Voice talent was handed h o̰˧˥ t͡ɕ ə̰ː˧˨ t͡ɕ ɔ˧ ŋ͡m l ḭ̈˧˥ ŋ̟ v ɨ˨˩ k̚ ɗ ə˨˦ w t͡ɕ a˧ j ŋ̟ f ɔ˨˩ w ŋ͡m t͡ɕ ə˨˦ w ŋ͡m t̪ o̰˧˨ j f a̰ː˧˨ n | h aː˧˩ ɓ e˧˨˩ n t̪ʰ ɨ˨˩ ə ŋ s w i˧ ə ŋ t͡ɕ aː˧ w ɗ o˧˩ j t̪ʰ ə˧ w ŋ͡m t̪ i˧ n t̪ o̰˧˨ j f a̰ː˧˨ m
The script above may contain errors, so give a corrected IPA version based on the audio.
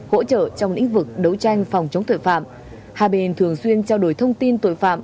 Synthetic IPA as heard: h o̰˧˥ t͡ɕ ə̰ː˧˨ t͡ɕ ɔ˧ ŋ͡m l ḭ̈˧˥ ŋ̟ v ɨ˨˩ k̚ ɗ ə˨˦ w t͡ɕ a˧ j ŋ̟ f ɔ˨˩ w ŋ͡m t͡ɕ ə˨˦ w ŋ͡m t̪ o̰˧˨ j f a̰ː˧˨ m | h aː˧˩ ɓ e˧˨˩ n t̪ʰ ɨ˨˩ ə ŋ s w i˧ ə n t͡ɕ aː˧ w ɗ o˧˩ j t̪ʰ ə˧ w ŋ͡m t̪ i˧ n t̪ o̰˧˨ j f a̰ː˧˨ m